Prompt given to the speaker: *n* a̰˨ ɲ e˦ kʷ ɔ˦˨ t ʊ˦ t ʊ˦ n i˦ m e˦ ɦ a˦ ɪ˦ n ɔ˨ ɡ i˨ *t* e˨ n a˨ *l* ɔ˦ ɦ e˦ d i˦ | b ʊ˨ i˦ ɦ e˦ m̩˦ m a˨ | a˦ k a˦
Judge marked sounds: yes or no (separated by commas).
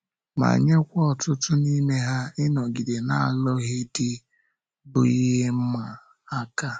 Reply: no, no, yes